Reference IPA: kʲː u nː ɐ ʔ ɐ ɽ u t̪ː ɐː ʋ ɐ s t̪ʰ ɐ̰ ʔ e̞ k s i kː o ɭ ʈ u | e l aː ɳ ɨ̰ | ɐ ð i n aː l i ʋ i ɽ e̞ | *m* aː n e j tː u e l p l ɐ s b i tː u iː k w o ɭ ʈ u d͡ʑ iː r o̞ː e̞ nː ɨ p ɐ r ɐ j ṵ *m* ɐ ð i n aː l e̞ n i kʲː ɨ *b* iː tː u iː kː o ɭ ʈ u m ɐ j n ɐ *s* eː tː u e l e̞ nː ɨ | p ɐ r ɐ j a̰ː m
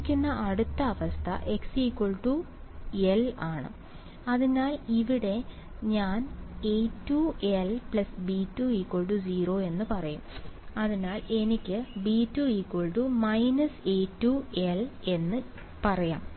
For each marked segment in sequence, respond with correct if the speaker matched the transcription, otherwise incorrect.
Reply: incorrect, correct, correct, correct

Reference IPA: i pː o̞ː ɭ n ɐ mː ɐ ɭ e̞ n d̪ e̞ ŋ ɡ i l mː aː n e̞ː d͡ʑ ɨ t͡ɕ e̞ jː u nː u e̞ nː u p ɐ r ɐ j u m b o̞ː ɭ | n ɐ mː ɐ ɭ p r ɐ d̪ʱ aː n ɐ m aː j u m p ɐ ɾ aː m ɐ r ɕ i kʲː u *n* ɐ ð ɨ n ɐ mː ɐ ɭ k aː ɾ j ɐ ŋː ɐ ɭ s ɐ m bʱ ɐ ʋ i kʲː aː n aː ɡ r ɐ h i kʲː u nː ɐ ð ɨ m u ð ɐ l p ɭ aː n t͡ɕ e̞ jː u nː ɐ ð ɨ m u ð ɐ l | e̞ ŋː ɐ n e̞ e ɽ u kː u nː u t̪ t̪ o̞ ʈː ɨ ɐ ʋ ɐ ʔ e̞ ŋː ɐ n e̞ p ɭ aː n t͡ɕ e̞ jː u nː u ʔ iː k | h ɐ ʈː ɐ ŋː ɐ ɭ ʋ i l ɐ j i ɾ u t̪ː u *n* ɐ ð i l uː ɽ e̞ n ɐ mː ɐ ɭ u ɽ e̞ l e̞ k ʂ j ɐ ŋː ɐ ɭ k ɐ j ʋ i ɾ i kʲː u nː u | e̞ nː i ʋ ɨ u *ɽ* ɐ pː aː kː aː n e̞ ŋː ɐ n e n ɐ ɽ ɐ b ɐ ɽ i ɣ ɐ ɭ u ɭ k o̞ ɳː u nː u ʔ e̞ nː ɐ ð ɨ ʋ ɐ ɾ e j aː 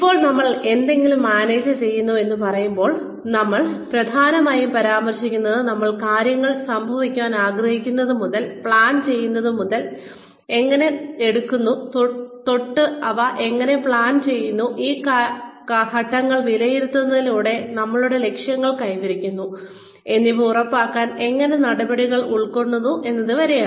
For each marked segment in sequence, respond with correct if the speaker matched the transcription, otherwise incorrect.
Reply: incorrect, incorrect, incorrect

